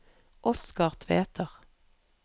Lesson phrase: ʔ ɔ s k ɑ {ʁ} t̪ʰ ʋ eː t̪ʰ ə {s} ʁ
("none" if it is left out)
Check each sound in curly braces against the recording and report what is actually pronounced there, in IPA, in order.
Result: ʁ, none

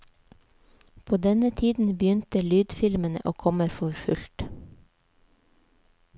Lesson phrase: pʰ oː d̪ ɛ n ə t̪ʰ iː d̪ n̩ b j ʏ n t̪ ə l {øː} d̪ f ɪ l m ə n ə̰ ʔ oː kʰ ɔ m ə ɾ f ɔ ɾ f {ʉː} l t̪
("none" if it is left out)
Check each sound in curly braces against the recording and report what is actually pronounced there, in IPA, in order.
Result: yː, ʉ

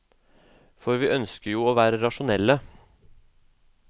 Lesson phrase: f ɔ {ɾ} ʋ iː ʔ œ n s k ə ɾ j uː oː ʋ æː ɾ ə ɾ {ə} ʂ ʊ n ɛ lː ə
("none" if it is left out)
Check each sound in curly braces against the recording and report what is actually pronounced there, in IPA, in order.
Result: ɾ, ɑ

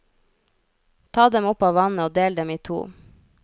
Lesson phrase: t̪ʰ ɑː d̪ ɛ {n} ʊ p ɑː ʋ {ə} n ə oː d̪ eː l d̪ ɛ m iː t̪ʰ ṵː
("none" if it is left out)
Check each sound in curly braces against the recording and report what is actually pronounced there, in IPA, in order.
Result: m, ɑ

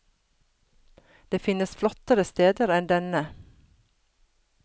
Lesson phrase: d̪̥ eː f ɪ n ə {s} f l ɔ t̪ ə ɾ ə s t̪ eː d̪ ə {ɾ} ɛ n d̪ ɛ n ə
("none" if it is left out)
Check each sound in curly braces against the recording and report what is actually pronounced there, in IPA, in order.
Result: s, ɾ

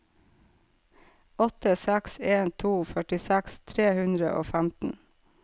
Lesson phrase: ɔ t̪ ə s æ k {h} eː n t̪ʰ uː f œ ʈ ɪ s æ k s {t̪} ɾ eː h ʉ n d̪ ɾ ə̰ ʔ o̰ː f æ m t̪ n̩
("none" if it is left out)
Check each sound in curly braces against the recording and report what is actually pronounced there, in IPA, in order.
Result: s, t̪ʰ

